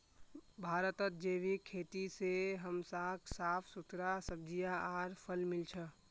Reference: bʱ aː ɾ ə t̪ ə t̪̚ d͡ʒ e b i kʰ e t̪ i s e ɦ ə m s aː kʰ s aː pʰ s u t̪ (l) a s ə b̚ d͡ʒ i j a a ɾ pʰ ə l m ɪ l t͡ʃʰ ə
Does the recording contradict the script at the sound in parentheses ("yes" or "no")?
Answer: yes